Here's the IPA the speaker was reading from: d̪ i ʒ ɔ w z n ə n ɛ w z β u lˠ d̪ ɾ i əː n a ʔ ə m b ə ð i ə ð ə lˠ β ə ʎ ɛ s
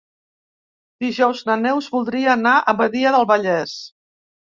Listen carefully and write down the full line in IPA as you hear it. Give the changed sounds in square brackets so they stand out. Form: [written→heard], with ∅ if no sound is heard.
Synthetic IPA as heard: d̪ i ʒ ɔ w z n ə n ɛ w z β u lˠ d̪ ɾ i əː n a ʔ ə m b ə ð i ə ð ə lˠ β ə ʎ ɛ s